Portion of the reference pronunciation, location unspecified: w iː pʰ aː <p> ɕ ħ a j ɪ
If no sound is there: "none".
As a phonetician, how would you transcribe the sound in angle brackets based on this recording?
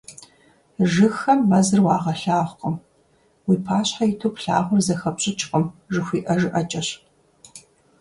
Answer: none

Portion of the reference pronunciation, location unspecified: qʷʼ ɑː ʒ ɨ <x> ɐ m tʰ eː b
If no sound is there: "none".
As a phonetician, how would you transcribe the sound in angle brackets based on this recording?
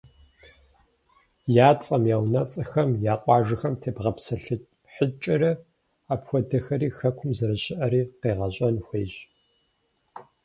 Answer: x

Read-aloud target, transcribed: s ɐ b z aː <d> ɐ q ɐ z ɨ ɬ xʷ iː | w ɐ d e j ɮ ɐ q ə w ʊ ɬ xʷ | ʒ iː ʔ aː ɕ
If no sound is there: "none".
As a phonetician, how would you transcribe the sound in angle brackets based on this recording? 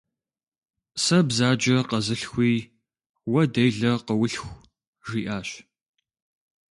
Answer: d͡ʒ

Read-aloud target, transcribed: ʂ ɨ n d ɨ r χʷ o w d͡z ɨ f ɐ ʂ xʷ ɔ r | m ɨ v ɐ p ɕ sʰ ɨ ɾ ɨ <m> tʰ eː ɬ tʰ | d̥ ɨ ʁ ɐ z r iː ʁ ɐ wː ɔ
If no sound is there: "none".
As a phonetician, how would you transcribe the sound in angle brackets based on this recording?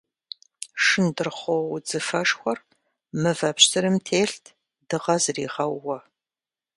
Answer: m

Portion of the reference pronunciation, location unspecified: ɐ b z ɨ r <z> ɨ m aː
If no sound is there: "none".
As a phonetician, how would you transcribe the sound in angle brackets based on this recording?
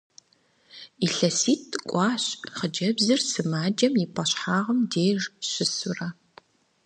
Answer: s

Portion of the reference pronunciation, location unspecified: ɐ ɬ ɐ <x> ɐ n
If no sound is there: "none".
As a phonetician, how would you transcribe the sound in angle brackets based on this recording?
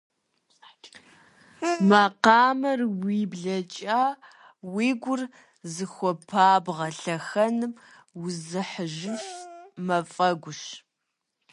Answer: x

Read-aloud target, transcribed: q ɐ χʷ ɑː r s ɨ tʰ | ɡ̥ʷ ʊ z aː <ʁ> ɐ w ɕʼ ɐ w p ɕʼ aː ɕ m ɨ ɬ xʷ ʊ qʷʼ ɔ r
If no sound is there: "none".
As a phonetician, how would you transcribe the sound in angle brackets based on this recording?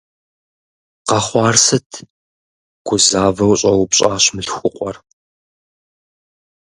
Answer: v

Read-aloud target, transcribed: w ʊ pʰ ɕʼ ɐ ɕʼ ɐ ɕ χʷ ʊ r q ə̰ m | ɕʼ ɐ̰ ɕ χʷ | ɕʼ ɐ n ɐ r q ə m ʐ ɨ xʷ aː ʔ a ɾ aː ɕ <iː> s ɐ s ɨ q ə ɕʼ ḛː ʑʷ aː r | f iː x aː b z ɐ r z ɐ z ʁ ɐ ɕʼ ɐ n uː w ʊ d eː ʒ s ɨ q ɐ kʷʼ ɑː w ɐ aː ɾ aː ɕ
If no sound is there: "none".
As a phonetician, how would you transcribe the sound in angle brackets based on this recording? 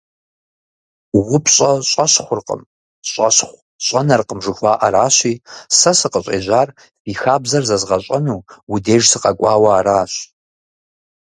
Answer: iː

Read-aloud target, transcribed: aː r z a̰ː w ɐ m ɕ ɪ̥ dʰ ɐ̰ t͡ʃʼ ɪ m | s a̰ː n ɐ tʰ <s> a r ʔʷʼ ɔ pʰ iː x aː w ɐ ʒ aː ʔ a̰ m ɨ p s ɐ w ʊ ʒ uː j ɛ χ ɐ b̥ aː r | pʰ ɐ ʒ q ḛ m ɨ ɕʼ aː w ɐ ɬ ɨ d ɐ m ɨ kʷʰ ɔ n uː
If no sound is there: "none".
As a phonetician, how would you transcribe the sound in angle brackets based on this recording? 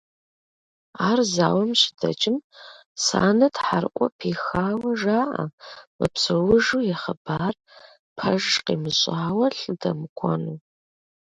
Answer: ħ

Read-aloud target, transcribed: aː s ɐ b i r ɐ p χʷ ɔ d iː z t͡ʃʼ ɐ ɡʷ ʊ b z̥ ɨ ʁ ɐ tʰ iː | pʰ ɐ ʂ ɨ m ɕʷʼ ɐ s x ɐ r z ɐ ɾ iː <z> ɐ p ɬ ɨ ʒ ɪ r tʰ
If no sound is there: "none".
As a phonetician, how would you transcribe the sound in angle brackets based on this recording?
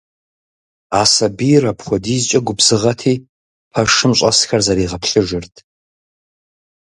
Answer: ʁ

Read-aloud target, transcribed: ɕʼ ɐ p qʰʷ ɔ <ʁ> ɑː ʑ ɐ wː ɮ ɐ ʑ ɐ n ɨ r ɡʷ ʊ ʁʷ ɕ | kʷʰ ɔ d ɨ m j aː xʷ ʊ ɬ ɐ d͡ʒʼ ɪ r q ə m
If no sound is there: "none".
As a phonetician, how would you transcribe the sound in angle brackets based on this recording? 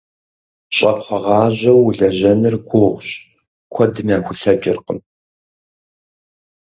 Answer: ʁ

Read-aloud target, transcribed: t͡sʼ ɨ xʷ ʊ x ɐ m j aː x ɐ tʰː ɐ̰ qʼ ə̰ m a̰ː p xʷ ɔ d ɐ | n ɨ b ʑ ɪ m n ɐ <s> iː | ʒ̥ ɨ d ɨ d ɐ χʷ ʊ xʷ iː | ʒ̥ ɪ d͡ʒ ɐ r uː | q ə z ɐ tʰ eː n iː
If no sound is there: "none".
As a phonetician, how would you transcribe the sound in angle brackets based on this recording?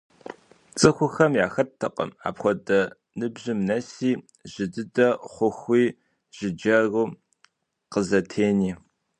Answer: s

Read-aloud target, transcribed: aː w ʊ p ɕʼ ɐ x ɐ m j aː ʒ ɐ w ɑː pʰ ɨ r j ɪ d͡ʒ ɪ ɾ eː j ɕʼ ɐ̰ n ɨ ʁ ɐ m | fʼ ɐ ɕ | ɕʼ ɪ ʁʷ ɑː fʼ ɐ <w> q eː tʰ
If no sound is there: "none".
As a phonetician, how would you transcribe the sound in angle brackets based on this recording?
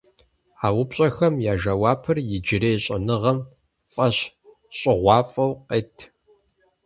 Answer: w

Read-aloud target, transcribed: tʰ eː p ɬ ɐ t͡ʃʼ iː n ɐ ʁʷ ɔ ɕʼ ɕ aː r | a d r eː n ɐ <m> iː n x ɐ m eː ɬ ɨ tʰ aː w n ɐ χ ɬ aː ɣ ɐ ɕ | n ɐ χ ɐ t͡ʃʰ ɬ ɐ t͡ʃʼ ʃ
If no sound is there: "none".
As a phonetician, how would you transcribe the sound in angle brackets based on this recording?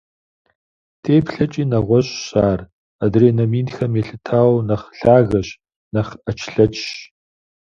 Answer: m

